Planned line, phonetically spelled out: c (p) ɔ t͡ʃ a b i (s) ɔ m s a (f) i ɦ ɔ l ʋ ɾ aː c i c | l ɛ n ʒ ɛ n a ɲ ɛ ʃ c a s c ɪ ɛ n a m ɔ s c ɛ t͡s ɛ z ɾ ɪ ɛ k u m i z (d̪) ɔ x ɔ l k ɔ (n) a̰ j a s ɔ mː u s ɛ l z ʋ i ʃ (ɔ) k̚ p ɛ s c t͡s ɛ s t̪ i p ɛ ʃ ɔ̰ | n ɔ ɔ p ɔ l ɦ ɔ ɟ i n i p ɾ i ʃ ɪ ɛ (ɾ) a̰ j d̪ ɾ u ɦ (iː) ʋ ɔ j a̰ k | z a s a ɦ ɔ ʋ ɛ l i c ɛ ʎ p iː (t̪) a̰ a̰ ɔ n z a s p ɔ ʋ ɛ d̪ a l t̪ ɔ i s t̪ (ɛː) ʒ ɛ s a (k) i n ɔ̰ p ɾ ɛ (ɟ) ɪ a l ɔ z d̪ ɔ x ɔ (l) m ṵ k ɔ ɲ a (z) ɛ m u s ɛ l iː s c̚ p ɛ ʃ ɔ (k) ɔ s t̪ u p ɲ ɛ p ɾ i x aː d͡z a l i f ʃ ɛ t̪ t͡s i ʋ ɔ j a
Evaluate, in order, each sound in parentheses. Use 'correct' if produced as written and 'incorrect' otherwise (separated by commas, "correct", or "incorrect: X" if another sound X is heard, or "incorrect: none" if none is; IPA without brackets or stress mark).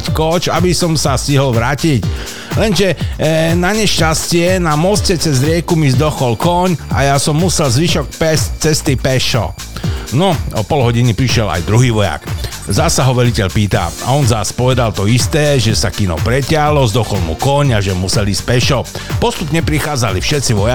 incorrect: k, correct, incorrect: s, correct, incorrect: ɲ, correct, incorrect: l, correct, correct, correct, correct, incorrect: c, correct, incorrect: ʒ, incorrect: p